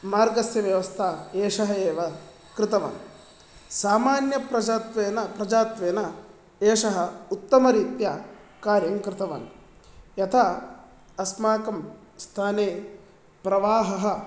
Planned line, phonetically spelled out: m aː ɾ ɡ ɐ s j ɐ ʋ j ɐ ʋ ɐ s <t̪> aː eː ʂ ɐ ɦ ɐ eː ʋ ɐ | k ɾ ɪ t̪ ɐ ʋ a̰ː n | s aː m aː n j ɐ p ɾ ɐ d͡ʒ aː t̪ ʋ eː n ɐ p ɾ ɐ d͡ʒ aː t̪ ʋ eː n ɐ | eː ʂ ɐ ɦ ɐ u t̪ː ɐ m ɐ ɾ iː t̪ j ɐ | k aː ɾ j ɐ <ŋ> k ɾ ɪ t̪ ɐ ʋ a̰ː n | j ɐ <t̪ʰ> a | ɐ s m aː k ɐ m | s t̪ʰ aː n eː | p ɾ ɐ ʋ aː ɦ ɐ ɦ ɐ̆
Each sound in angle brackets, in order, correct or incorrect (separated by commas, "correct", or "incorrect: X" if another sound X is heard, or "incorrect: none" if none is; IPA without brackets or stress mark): incorrect: t̪ʰ, correct, correct